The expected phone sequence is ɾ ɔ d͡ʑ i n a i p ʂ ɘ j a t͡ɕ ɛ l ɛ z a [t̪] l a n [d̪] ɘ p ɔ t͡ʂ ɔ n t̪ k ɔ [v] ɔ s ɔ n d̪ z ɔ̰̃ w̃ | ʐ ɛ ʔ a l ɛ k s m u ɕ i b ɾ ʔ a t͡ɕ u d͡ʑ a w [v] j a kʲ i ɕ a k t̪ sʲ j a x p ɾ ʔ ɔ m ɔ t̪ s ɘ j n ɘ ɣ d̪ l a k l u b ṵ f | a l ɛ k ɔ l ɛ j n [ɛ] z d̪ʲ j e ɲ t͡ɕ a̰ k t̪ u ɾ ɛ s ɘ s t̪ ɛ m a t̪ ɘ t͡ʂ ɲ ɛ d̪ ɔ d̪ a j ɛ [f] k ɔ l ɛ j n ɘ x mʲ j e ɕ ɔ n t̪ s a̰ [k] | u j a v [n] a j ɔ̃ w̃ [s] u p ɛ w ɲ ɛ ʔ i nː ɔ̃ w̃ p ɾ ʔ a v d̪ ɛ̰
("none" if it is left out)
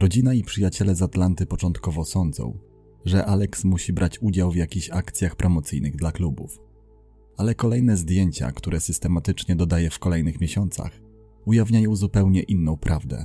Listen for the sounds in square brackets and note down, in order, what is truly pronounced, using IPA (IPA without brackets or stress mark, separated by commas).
t̪, t̪, v, v, ɛ, f, x, ɲ, z